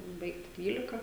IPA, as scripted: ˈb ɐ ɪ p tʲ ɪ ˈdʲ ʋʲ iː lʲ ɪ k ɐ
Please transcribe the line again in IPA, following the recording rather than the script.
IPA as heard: ˈb ɐ ɪ k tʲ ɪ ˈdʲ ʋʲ iː lʲ ɪ k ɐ